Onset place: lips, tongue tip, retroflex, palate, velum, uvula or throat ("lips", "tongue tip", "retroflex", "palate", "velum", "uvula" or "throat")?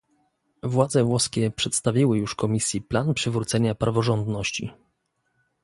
lips